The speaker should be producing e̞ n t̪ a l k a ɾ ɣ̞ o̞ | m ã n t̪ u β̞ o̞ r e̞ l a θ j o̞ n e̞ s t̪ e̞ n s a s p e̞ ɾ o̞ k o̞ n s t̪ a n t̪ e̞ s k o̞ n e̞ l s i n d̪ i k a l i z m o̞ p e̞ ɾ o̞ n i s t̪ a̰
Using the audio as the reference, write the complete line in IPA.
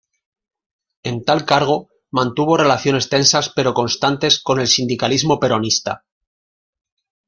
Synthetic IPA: e̞ n t̪ a l k a ɾ ɣ̞ o̞ | m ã n t̪ u β̞ o̞ r e̞ l a θ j o̞ n e̞ s t̪ e̞ n s a s p e̞ ɾ o̞ k o̞ n s t̪ a n t̪ e̞ s k o̞ n e̞ l s i n d̪ i k a l i z m o̞ p e̞ ɾ o̞ n i s t̪ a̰